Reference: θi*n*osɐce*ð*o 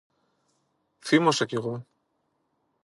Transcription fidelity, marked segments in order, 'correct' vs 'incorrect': incorrect, incorrect

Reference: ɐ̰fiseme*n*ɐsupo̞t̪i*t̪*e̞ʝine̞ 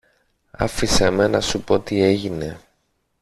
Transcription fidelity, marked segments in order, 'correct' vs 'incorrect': correct, incorrect

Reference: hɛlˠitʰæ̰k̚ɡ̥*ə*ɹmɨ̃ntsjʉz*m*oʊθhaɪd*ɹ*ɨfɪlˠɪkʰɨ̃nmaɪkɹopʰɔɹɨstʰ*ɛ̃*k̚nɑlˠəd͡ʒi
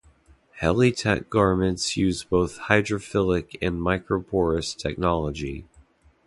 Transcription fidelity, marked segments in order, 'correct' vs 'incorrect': incorrect, incorrect, correct, incorrect

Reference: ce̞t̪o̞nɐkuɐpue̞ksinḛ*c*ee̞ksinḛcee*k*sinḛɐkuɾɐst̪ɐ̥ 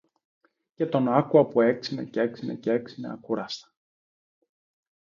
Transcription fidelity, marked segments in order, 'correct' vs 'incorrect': correct, correct

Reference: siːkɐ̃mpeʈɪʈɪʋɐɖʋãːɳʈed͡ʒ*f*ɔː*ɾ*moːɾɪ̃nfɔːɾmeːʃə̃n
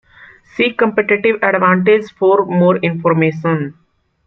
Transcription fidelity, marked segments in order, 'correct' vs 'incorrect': correct, correct

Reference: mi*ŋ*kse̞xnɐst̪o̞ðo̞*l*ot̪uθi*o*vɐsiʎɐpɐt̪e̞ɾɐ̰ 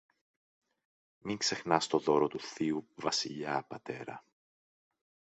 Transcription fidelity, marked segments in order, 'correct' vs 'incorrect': correct, incorrect, incorrect

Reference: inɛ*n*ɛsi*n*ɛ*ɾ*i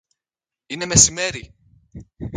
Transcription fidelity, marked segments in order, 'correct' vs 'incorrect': incorrect, incorrect, correct

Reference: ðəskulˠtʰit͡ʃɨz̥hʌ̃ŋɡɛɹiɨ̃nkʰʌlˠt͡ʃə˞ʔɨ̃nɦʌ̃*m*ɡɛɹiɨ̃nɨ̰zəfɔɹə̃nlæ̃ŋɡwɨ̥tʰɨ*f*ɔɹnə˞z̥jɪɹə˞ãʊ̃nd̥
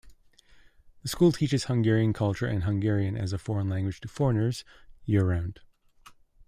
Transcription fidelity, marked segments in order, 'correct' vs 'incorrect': incorrect, correct

